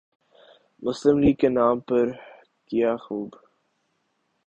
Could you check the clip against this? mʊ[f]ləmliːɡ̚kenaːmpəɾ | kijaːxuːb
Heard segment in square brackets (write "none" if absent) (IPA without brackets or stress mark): s